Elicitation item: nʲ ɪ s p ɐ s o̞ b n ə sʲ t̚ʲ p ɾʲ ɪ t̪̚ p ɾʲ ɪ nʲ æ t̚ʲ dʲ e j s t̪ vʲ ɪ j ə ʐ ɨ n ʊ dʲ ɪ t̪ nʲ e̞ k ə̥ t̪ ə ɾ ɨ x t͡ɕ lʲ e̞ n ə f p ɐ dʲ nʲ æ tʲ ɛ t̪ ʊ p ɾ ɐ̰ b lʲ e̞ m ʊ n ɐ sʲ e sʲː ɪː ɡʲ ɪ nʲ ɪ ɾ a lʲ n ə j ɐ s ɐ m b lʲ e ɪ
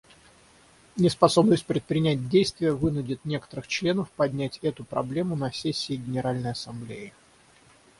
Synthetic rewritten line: nʲ ɪ s p ɐ s o̞ b n ə sʲ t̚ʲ p ɾʲ ɪ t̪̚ p ɾʲ ɪ nʲ æ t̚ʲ dʲ e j s t̪ vʲ ɪ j ə v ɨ n ʊ dʲ ɪ t̪ nʲ e̞ k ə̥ t̪ ə ɾ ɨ x t͡ɕ lʲ e̞ n ə f p ɐ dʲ nʲ æ tʲ ɛ t̪ ʊ p ɾ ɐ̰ b lʲ e̞ m ʊ n ɐ sʲ e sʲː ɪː ɡʲ ɪ nʲ ɪ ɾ a lʲ n ə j ɐ s ɐ m b lʲ e ɪ